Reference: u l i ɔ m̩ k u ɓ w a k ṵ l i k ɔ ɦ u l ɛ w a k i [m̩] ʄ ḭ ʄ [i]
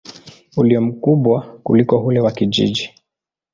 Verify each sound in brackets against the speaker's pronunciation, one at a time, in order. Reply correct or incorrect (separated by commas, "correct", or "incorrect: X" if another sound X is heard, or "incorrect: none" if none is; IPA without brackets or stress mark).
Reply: incorrect: none, correct